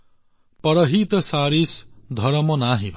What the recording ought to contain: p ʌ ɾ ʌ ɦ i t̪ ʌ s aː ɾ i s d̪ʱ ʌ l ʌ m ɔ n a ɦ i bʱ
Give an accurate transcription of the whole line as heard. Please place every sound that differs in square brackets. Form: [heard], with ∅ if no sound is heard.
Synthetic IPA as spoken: p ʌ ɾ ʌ ɦ i t̪ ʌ s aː ɾ i s d̪ʱ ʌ [ɾ] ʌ m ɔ n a ɦ i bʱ